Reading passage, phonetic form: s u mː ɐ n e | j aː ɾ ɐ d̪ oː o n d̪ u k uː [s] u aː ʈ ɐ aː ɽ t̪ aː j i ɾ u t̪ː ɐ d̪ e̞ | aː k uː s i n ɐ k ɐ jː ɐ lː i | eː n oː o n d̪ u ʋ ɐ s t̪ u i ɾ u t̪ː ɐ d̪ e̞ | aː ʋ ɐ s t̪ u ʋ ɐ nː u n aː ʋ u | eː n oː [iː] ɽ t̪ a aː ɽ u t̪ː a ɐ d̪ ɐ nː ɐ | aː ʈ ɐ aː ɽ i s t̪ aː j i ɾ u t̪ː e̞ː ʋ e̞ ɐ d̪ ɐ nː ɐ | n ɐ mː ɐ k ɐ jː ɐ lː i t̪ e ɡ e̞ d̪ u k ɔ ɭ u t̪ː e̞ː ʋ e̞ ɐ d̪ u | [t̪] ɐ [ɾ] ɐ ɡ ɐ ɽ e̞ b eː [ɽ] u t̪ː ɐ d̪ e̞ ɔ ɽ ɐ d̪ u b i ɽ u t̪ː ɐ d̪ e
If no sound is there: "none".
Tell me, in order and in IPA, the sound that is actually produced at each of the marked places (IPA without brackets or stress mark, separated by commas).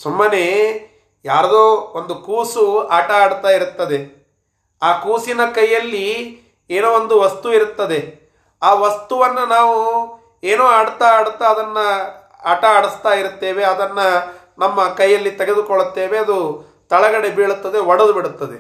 s, aː, t̪, ɭ, ɭ